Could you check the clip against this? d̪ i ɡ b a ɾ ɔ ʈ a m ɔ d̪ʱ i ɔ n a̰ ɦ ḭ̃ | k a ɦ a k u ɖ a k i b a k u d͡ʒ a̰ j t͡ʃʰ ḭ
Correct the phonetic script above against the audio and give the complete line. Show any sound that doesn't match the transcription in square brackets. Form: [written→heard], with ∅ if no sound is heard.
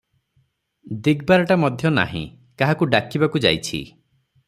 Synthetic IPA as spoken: d̪ i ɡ b a ɾ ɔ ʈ a m ɔ d̪ʱ [i→j] ɔ n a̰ ɦ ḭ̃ | k a ɦ a k u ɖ a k i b a k u d͡ʒ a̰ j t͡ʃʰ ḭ